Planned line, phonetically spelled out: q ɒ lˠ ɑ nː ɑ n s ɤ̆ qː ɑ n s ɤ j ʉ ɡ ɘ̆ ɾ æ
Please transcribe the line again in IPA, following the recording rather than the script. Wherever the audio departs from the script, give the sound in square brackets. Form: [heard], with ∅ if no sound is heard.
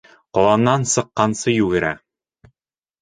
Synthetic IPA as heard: q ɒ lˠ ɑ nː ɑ n s ɤ̆ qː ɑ n s ɤ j ʉ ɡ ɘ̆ ɾ æ